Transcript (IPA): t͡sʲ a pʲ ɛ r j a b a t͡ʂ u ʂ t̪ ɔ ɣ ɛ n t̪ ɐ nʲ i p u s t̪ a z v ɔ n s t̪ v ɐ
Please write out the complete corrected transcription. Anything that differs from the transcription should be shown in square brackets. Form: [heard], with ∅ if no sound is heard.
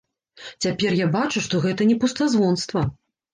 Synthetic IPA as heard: t͡sʲ a pʲ ɛ r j a b a t͡ʂ u ʂ t̪ ɔ ɣ ɛ [∅] t̪ ɐ nʲ [ɛ] p u s t̪ a z v ɔ n s t̪ v ɐ